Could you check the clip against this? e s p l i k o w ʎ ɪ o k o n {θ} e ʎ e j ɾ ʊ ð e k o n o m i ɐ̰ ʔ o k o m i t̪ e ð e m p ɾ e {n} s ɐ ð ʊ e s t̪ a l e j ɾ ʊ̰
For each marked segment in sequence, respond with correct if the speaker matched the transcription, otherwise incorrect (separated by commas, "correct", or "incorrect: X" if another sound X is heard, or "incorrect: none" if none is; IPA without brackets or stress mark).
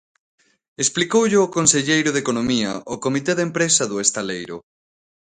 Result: incorrect: s, incorrect: none